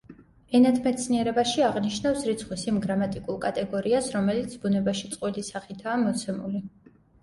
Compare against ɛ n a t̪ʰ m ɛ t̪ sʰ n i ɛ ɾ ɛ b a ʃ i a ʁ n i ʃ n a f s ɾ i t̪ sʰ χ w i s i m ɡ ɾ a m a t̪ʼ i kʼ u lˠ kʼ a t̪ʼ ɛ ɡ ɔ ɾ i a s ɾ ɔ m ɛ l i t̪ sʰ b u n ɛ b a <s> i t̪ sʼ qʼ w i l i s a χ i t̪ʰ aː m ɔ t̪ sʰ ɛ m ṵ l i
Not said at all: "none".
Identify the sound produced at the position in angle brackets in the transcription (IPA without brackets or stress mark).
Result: ʃ